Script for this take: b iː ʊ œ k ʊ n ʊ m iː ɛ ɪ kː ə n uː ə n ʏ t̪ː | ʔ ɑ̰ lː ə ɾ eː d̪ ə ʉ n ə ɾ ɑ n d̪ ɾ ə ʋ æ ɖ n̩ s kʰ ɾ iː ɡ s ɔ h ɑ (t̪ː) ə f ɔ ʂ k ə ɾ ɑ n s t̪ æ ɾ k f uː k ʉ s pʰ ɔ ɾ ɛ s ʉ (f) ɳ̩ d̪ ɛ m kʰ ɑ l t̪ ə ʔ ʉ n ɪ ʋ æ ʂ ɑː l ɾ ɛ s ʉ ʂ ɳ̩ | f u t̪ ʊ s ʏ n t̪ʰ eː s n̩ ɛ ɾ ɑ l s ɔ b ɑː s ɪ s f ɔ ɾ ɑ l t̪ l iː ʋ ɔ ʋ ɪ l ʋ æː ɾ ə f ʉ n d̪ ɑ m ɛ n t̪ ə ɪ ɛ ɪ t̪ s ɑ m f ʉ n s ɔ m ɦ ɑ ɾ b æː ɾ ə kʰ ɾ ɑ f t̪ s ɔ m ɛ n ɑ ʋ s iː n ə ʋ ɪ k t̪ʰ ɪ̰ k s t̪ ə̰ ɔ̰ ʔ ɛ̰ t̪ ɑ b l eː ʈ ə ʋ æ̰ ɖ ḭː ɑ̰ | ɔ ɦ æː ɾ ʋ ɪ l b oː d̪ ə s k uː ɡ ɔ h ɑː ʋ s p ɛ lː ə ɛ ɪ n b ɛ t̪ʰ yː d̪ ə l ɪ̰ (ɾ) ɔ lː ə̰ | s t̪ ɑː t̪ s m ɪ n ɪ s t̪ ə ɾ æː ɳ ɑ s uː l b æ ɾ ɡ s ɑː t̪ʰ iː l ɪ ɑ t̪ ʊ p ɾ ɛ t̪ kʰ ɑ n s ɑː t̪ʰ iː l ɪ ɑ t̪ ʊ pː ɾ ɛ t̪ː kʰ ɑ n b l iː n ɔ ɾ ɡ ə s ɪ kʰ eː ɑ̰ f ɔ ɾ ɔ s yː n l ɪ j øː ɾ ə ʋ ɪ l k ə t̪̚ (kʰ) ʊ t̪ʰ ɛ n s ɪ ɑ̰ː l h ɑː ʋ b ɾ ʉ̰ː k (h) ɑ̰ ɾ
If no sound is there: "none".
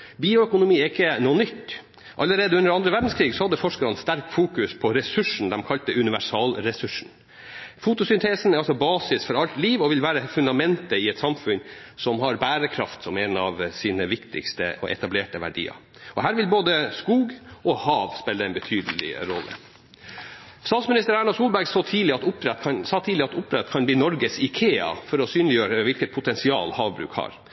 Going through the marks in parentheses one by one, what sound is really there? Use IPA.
d̪ː, ʂ, ɾ, pʰ, h

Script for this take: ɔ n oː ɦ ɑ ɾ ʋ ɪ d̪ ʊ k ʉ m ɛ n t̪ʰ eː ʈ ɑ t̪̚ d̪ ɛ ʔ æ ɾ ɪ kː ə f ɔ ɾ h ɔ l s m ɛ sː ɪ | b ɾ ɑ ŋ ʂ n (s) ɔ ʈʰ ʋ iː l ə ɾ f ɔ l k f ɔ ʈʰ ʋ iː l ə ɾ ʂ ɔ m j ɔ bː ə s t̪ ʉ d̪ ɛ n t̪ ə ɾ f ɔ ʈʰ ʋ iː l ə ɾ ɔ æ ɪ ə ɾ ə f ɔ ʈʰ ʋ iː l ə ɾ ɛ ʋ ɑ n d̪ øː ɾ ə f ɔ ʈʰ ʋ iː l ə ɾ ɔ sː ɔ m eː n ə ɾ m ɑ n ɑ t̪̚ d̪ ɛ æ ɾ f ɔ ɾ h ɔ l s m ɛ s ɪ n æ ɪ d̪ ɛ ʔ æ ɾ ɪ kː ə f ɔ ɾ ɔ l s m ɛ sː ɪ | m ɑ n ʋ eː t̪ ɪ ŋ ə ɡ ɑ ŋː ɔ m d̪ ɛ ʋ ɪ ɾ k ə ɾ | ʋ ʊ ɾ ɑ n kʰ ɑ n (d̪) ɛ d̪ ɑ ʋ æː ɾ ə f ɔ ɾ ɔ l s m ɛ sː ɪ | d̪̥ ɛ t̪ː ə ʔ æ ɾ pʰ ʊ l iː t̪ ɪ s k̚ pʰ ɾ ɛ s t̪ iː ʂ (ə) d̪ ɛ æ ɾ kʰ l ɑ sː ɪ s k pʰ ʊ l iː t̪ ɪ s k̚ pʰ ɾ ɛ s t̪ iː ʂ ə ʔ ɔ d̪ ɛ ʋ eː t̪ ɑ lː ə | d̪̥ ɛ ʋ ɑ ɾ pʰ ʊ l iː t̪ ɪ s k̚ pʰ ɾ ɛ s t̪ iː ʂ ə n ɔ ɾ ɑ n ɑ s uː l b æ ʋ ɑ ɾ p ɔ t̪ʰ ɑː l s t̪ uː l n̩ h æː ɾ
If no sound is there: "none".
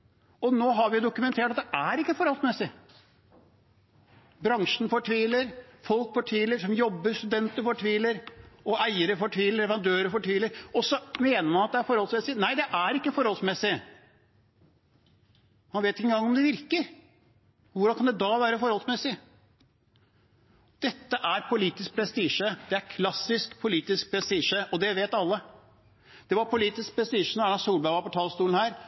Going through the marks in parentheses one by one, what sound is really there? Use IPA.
f, d̪, ə

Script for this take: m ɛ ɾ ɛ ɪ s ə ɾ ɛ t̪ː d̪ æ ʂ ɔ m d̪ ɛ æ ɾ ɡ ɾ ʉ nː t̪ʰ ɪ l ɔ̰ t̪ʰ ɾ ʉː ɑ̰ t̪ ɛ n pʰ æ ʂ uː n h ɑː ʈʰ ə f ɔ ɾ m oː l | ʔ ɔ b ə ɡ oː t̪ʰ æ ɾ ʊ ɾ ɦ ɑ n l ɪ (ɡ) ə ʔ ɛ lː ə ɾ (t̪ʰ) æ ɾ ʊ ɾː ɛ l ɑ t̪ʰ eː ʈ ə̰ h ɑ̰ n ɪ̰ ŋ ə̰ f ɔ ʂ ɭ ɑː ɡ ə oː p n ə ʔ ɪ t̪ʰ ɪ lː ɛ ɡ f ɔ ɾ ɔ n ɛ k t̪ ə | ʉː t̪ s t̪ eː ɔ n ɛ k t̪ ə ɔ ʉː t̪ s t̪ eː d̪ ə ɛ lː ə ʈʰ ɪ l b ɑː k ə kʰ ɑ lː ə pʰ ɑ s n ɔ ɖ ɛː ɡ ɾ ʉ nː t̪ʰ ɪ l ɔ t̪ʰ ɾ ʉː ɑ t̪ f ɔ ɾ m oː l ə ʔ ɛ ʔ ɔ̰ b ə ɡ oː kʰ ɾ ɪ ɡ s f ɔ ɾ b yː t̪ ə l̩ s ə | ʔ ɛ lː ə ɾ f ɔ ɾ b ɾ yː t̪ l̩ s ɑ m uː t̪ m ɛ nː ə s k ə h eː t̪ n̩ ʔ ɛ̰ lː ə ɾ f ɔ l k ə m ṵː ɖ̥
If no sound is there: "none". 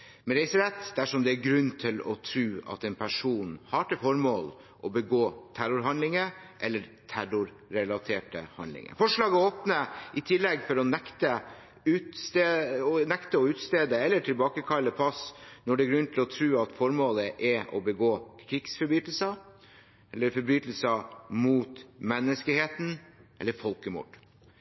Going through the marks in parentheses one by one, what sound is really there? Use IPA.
ŋ, t̪ʰ

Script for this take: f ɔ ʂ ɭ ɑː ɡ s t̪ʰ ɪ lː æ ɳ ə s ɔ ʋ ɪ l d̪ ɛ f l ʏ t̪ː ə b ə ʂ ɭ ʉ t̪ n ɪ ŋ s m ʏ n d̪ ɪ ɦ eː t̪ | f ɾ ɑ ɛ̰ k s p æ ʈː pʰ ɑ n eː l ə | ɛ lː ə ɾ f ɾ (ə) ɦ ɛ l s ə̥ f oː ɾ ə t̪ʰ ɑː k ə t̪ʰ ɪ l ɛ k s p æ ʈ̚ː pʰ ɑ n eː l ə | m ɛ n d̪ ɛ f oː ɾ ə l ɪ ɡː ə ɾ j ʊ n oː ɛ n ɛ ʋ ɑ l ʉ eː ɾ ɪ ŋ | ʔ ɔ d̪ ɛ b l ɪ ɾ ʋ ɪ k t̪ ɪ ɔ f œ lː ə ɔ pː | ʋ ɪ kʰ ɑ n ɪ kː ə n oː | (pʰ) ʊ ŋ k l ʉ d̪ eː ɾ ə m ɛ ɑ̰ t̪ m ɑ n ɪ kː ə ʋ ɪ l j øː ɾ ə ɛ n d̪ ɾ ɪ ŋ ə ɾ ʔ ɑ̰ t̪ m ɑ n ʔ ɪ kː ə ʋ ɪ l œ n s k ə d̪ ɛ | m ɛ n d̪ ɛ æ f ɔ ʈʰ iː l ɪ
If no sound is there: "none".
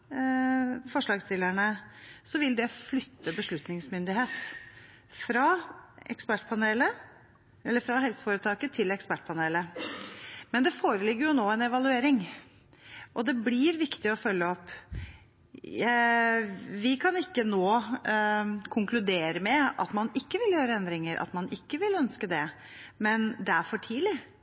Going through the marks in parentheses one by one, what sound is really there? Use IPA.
ɑ, kʰ

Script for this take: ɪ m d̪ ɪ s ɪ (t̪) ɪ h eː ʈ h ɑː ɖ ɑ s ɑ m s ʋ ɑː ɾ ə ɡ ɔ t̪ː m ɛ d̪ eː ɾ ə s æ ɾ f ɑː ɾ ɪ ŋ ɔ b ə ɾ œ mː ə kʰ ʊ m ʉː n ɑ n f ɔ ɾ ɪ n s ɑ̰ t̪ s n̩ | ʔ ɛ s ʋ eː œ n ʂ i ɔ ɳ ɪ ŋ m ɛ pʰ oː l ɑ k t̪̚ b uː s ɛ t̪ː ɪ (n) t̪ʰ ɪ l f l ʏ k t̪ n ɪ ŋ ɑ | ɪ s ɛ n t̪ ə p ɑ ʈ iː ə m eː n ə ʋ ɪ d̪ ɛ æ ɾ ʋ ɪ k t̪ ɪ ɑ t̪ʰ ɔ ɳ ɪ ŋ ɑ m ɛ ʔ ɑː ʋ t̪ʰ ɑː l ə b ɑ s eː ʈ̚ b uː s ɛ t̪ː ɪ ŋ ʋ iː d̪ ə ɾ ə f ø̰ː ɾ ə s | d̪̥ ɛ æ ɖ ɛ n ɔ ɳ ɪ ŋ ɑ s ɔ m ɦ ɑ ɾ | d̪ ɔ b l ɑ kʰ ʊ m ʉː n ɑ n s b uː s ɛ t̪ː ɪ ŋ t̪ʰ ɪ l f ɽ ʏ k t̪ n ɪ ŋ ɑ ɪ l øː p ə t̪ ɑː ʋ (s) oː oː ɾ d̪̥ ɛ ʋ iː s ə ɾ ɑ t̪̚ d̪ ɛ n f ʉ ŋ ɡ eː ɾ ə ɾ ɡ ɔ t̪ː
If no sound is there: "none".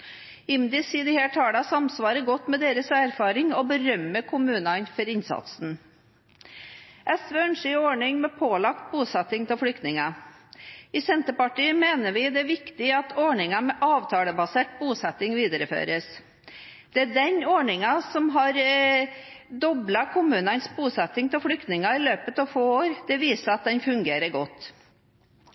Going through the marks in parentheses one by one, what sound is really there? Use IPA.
d̪, ŋ, f

